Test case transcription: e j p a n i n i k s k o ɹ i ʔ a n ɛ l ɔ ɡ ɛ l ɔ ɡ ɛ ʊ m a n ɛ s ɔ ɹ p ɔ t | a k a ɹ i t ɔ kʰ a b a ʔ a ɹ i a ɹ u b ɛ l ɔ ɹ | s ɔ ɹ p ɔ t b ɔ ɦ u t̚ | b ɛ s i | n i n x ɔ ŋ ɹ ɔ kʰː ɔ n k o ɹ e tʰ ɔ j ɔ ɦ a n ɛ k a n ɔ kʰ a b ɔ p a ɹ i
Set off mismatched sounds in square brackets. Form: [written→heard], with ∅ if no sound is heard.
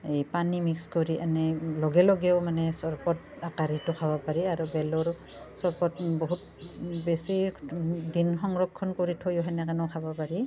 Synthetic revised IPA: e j p a n i [n→m] i k s k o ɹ i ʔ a n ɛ l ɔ ɡ ɛ l ɔ ɡ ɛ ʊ m a n ɛ s ɔ ɹ p ɔ t | a k a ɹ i t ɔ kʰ a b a [ʔ→p] a ɹ i a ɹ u b ɛ l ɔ ɹ | s ɔ ɹ p ɔ t b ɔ ɦ u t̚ | b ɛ s i | [n→d] i n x ɔ ŋ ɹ ɔ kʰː ɔ n k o ɹ [e→i] tʰ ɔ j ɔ ɦ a n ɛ k a n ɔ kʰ a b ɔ p a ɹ i